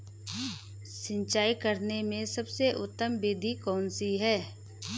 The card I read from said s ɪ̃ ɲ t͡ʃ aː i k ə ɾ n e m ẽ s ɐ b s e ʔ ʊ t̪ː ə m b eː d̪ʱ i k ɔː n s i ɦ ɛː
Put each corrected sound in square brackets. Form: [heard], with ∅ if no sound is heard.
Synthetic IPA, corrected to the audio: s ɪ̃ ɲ t͡ʃ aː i k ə ɾ n e m ẽ s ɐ b s e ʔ ʊ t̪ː ə m b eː d̪ʱ i k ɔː n s i ɦ ɛː

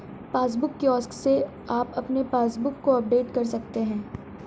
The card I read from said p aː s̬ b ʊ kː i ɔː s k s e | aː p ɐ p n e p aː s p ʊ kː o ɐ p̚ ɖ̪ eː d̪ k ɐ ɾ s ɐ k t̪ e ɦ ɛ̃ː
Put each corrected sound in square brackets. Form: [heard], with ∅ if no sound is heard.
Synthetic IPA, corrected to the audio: p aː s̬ b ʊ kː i ɔː s k s e | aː p ɐ p n e p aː s [b] ʊ kː o ɐ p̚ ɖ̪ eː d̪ k ɐ ɾ s ɐ k t̪ e ɦ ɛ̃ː

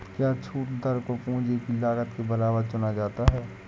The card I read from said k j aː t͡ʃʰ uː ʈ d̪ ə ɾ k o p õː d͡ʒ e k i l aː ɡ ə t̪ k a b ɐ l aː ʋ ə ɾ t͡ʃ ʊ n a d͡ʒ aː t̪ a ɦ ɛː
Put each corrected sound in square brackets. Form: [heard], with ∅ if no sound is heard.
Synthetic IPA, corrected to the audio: k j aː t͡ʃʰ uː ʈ d̪ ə ɾ k o p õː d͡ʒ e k i l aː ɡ ə t̪ k [e] b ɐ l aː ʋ ə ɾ t͡ʃ ʊ n a d͡ʒ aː t̪ a ɦ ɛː

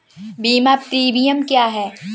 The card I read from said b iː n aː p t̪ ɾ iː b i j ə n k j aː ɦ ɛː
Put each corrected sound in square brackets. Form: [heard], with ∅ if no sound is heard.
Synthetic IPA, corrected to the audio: b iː [m] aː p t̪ ɾ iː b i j ə [m] k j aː ɦ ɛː

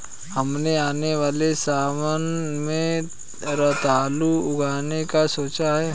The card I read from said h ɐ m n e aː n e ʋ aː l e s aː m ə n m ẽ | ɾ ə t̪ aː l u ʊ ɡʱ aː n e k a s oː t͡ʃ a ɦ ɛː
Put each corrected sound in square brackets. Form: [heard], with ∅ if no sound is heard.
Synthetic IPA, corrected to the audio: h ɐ m n e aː n e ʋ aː l e s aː m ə n m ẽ | ɾ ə t̪ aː l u ʊ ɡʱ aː n e k a s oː t͡ʃ a ɦ ɛː

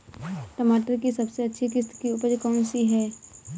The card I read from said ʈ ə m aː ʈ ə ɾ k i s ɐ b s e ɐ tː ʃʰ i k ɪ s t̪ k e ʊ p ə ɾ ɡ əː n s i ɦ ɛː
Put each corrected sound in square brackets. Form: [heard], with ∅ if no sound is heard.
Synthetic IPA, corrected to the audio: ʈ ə m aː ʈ ə ɾ k i s ɐ b s e ɐ tː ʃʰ i k ɪ s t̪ k [i] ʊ p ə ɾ [k] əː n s i ɦ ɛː

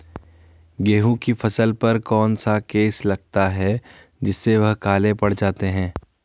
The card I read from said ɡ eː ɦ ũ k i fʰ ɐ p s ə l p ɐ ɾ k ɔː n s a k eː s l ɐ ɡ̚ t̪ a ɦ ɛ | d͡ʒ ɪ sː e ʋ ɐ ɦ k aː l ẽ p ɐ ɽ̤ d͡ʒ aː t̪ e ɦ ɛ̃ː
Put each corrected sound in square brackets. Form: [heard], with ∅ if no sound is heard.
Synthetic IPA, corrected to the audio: ɡ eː ɦ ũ k i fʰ ɐ [∅] s ə l p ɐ ɾ k ɔː n s a k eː s l ɐ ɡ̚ t̪ a ɦ ɛ | d͡ʒ ɪ sː e ʋ ɐ ɦ k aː l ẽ p ɐ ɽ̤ d͡ʒ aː t̪ e ɦ ɛ̃ː

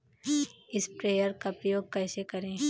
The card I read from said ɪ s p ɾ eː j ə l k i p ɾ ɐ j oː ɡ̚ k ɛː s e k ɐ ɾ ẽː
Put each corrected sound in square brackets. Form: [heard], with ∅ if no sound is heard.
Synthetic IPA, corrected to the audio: ɪ s p ɾ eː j ə [ɾ] k [a] p ɾ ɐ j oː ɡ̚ k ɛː s e k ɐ ɾ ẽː

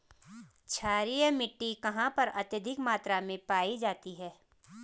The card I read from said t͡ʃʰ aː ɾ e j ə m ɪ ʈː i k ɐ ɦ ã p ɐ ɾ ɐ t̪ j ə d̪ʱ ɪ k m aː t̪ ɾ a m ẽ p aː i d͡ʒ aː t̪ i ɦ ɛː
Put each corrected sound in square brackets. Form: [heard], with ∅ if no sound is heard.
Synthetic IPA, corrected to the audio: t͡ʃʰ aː ɾ [i] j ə m ɪ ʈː i k ɐ ɦ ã p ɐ ɾ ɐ t̪ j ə d̪ʱ ɪ k m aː t̪ ɾ a m ẽ p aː i d͡ʒ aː t̪ i ɦ ɛː

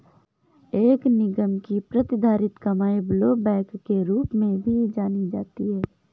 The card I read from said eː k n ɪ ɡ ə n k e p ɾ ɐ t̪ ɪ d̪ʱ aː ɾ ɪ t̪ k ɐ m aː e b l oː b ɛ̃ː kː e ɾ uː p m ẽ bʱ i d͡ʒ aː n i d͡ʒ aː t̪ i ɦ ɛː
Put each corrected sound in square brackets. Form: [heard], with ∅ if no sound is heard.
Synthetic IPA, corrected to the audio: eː k n ɪ ɡ ə [m] k [i] p ɾ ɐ t̪ ɪ d̪ʱ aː ɾ ɪ t̪ k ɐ m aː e b l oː b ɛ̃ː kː e ɾ uː p m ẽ bʱ i d͡ʒ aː n i d͡ʒ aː t̪ i ɦ ɛː

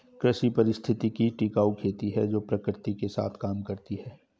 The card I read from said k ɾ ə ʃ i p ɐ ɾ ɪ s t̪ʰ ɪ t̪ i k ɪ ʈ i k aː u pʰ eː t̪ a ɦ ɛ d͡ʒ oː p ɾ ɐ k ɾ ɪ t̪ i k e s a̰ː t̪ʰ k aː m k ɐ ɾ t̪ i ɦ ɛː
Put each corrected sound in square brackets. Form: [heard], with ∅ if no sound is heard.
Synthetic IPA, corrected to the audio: k ɾ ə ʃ i p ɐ ɾ ɪ s t̪ʰ ɪ t̪ i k [i] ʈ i k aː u [kʰ] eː t̪ [i] ɦ ɛ d͡ʒ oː p ɾ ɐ k ɾ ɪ t̪ i k e s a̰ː t̪ʰ k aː m k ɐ ɾ t̪ i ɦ ɛː

